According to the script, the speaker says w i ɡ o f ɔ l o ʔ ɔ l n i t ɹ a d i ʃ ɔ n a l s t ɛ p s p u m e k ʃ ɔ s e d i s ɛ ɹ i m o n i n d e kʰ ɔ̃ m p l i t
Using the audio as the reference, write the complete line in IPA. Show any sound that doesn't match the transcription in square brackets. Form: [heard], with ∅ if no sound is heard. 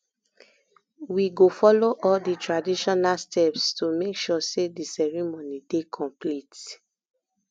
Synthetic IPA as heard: w i ɡ o f ɔ l o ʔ ɔ l [d] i t ɹ a d i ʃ ɔ n a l s t ɛ p s [t] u m e k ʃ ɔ s e d i s ɛ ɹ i m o n i [∅] d e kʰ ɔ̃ m p l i t